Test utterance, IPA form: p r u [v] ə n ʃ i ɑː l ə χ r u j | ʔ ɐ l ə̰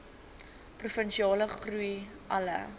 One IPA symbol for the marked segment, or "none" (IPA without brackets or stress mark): f